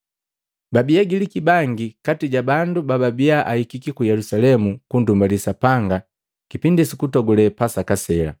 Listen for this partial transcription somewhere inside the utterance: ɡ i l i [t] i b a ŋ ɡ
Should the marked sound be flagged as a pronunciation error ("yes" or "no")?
yes